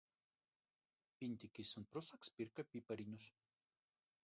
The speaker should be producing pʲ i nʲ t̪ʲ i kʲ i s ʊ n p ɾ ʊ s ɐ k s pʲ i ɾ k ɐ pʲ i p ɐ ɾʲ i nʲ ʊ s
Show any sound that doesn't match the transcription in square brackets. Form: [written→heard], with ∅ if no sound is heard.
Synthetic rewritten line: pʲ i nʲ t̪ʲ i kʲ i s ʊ n p ɾ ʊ s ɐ k s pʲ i ɾ k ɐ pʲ i p ɐ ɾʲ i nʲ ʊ s